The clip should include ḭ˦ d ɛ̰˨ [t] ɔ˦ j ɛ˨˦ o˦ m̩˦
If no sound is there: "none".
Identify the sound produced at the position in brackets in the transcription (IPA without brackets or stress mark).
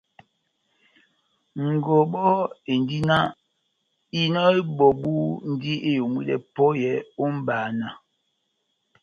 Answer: p